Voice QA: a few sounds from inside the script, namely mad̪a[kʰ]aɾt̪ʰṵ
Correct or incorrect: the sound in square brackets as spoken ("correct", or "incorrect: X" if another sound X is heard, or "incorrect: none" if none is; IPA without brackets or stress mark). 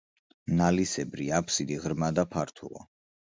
incorrect: pʰ